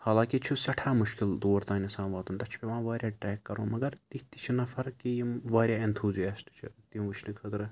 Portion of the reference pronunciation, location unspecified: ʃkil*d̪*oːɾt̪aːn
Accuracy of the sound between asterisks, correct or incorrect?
correct